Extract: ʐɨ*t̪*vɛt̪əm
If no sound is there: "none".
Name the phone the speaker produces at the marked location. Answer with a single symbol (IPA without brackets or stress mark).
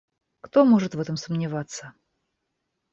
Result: t̪